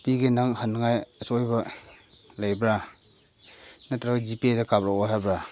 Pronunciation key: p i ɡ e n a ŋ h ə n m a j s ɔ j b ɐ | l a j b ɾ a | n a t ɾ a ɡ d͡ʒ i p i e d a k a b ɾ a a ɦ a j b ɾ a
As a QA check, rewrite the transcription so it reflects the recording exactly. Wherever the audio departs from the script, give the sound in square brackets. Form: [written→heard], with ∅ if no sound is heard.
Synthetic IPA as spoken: p i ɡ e n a ŋ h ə n [m→ŋ] a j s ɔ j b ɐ | l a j b ɾ a | n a t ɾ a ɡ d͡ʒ i p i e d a k a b ɾ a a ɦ a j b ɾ a